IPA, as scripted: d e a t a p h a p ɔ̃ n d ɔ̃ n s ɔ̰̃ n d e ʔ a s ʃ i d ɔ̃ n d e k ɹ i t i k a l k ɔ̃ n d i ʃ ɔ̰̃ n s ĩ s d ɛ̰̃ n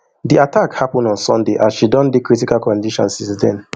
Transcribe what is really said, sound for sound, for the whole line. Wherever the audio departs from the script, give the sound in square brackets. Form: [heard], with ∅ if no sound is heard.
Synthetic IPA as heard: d [i] a t a [k] h a p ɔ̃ n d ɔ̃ n s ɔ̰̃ n d e ʔ a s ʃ i d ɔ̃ n d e k ɹ i t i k a l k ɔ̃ n d i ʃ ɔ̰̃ n s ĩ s d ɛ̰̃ n

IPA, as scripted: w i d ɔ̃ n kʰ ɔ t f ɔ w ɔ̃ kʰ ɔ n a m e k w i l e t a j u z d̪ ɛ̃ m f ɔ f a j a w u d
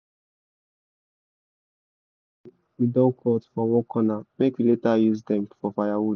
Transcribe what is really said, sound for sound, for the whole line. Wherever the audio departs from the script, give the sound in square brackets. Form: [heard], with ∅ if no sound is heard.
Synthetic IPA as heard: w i d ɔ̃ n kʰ ɔ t f ɔ w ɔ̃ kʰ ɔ n a m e k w i l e t a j u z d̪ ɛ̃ m f ɔ f a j a w u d

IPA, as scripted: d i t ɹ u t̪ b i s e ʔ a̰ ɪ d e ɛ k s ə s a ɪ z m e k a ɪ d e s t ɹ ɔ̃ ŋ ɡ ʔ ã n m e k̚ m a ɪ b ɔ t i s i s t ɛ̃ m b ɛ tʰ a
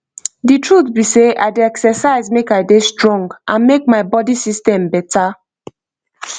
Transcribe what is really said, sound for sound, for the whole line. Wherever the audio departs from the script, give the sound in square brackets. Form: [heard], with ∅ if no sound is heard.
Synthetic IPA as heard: d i t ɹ u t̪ b i s e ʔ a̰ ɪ d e ɛ k s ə s a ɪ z m e k a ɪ d e s t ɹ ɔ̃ ŋ ɡ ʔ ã n m e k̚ m a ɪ b ɔ [d] i s i s t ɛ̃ m b ɛ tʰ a

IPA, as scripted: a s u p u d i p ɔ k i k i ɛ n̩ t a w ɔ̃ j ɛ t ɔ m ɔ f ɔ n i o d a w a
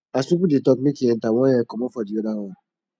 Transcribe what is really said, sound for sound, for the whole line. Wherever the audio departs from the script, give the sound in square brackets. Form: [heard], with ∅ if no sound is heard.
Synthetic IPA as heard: a s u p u d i [t] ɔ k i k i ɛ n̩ t a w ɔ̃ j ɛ [k] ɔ m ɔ f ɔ [d] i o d a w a

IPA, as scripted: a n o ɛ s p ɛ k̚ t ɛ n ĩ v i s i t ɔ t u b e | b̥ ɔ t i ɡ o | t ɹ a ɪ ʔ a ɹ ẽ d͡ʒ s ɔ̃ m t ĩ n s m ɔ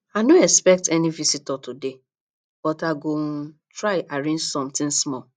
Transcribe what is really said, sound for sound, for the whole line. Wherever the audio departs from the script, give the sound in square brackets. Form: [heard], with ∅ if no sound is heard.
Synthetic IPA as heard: a n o ɛ s p ɛ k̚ t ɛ n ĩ v i s i t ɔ t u [d] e | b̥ ɔ t [a] ɡ o | t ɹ a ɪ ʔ a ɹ ẽ d͡ʒ s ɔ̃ m t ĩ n s m ɔ

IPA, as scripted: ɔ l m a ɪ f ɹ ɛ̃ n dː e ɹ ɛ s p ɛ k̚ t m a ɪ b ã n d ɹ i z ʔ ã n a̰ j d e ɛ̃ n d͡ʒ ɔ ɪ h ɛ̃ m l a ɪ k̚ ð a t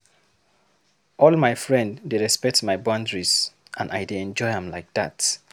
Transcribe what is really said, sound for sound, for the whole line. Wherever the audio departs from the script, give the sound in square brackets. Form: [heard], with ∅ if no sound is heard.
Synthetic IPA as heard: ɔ l m a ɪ f ɹ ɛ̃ n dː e ɹ ɛ s p ɛ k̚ t m a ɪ b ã n d ɹ i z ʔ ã n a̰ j d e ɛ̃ n d͡ʒ ɔ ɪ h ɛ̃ m l a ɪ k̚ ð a t

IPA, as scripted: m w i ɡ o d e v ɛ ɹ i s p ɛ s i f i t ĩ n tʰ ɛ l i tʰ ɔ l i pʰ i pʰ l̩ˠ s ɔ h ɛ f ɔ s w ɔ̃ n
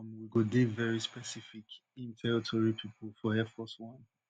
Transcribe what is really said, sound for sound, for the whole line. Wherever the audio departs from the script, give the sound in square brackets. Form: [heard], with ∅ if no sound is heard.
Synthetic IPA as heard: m w i ɡ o d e v ɛ ɹ i s p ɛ s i f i [k] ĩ n tʰ ɛ [ɹ] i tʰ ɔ [ɹ] i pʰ i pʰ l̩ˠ [f] ɔ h ɛ f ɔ s w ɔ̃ n

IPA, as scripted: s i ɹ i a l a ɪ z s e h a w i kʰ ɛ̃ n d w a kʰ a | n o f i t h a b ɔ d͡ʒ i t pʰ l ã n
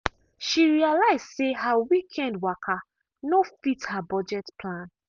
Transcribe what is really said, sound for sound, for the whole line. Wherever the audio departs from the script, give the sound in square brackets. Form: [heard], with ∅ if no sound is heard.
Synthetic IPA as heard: [ʃ] i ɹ i a l a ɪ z s e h a w i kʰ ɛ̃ n d w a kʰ a | n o f i t h a b ɔ d͡ʒ [ɛ] t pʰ l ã n

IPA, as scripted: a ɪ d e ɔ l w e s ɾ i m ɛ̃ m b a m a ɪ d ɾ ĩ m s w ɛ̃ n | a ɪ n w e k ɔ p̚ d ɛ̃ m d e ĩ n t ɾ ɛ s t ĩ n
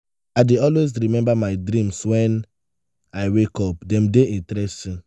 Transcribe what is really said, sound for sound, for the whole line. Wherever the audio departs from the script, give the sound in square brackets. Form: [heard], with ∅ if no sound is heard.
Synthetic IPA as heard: a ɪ d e ɔ l w e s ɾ i m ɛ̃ m b a m a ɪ d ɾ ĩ m s w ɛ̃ n | a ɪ [∅] w e k ɔ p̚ d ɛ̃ m d e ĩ n t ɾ ɛ s t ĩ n

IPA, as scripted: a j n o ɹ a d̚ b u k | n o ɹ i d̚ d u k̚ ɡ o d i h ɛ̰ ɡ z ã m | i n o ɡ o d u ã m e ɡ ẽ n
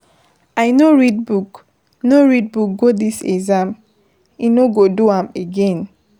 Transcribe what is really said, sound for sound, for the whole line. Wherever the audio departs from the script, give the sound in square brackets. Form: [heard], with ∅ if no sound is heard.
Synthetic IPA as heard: a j n o ɹ [i] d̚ b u k | n o ɹ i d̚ [b] u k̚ ɡ o d i [s] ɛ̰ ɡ z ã m | i n o ɡ o d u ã m e ɡ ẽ n

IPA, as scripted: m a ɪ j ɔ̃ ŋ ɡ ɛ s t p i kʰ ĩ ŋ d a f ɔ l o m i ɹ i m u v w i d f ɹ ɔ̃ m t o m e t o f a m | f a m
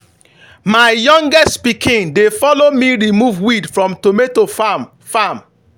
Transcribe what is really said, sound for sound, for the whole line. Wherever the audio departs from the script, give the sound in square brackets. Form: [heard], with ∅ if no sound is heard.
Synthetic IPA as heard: m a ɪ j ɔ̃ ŋ ɡ ɛ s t p i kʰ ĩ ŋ d [e] f ɔ l o m i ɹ i m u v w i d f ɹ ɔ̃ m t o m e t o f a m | f a m

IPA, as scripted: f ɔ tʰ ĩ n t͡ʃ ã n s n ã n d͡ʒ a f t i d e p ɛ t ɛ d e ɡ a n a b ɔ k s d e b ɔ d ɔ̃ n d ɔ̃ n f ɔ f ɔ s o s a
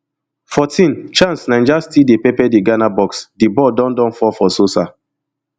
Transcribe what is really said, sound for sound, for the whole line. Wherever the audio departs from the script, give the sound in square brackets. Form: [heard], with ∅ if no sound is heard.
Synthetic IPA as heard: f ɔ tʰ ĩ n t͡ʃ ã n s n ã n d͡ʒ a [s] t i d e p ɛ [p] ɛ d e ɡ a n a b ɔ k s d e b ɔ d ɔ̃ n d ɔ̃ n f ɔ f ɔ s o s a

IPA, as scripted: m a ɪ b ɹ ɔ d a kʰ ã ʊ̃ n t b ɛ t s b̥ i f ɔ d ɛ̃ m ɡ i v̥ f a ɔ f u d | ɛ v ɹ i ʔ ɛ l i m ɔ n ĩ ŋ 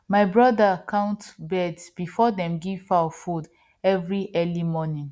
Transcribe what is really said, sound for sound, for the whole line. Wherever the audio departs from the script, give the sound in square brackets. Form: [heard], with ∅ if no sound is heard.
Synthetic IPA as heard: m a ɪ b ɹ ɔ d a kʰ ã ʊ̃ n t b ɛ [d] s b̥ i f ɔ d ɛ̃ m ɡ i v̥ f a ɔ f u d | ɛ v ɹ i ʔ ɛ l i m ɔ n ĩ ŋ

